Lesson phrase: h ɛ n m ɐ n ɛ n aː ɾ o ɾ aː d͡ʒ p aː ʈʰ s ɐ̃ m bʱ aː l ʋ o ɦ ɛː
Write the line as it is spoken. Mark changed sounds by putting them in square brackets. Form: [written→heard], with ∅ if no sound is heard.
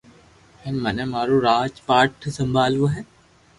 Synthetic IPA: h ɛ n m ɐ n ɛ [n→m] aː ɾ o ɾ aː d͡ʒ p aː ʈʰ s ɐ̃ m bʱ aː l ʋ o ɦ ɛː